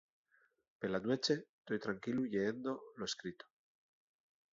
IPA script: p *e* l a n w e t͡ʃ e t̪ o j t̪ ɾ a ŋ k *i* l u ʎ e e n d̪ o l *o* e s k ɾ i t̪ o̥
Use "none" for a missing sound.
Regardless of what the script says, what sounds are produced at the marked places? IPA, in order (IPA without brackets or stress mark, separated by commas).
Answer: e, i, o